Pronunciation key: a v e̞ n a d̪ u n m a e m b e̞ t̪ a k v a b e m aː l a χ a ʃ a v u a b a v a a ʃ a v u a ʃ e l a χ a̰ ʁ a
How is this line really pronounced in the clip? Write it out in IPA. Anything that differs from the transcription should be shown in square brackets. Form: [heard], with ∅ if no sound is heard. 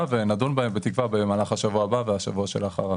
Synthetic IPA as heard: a v e̞ n a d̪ u n [b] a e m b e̞ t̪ [i] k v a b e m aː l a χ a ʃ a v u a b a v [e] a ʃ a v u a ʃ e l a χ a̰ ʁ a